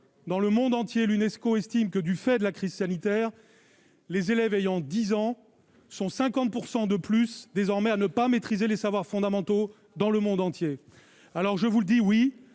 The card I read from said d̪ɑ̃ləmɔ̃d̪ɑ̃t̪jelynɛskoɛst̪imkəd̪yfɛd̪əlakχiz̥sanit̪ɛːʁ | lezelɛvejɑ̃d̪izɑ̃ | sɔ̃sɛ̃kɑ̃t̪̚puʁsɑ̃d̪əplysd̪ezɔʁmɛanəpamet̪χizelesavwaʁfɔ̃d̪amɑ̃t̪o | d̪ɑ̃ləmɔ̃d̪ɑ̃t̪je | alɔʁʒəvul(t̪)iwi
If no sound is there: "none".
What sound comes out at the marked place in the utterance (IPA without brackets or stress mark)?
d̪